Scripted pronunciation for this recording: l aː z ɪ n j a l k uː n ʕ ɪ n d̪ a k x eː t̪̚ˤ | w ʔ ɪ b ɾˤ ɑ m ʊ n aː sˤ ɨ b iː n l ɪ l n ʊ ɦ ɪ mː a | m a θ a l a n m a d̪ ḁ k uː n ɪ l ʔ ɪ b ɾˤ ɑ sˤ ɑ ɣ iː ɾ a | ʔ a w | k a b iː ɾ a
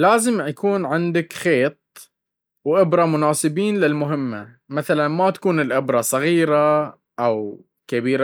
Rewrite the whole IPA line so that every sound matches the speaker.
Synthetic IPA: l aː z ɪ m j a k uː n ʕ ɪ n d̪ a k x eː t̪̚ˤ | w ʔ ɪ b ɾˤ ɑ m ʊ n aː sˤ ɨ b iː n l ɪ l m ʊ ɦ ɪ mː a | m a θ a l a n m a t̪ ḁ k uː n ɪ l ʔ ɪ b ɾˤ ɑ sˤ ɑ ɣ iː ɾ a | ʔ a w | k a b iː ɾ a